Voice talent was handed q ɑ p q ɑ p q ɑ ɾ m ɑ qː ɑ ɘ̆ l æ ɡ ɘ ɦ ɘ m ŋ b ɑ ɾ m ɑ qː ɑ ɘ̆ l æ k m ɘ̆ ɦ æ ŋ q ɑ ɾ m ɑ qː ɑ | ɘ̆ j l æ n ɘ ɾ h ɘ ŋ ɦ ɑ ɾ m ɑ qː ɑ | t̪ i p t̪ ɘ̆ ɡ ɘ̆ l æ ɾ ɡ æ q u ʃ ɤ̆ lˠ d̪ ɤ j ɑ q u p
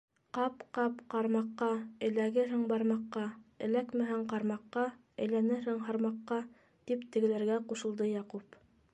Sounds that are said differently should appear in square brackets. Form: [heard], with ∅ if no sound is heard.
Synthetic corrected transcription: q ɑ p q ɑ p q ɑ ɾ m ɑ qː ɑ ɘ̆ l æ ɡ ɘ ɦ ɘ [∅] ŋ b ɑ ɾ m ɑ qː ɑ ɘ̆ l æ k m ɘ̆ ɦ æ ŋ q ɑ ɾ m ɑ qː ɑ | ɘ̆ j l æ n ɘ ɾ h ɘ ŋ ɦ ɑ ɾ m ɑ qː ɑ | t̪ i p t̪ ɘ̆ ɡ ɘ̆ l æ ɾ ɡ æ q u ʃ ɤ̆ lˠ d̪ ɤ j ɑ q u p